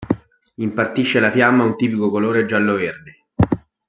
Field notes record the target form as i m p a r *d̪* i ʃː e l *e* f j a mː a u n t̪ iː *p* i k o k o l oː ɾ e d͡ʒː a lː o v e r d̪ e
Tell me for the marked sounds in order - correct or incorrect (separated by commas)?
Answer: incorrect, incorrect, correct